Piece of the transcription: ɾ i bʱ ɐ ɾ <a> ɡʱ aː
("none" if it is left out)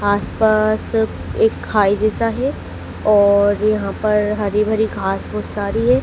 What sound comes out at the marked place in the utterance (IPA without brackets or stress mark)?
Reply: i